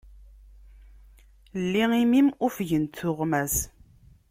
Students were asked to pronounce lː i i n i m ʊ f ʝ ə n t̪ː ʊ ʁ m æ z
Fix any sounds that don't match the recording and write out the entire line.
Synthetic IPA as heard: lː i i m i m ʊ f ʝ ə n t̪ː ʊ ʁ m æ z